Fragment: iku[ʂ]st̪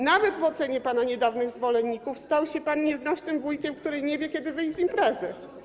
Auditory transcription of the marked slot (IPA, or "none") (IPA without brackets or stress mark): f